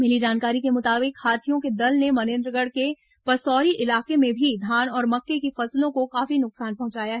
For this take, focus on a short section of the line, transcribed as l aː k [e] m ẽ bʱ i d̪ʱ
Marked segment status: correct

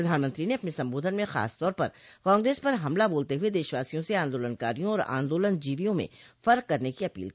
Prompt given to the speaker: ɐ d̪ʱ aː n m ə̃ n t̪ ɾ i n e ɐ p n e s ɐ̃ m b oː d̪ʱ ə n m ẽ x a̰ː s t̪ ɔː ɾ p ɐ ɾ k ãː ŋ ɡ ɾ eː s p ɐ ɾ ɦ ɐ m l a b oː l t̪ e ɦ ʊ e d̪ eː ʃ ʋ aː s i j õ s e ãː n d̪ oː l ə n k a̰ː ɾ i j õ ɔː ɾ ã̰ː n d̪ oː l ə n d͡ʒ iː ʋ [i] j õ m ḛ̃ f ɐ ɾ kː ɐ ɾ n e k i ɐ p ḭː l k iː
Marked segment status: correct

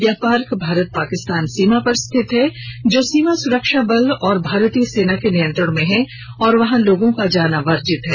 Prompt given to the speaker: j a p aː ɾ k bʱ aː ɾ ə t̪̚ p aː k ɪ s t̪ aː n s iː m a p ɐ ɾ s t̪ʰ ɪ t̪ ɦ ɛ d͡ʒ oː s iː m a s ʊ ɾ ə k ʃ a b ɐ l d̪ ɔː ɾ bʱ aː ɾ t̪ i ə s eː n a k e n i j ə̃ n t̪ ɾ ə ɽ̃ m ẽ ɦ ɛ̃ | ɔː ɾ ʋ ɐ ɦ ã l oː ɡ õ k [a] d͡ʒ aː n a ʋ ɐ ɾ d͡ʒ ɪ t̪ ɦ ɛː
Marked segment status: correct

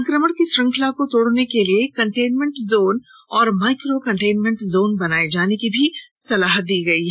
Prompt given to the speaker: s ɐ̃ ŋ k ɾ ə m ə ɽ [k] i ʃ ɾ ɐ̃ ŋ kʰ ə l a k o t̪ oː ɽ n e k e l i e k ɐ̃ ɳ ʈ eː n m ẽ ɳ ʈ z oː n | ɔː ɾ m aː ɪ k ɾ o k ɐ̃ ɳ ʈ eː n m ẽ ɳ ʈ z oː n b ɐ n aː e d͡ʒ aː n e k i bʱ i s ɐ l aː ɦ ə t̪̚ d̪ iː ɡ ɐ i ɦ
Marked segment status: correct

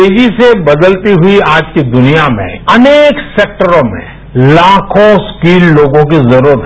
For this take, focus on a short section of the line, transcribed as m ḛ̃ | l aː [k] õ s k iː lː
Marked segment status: incorrect: kʰ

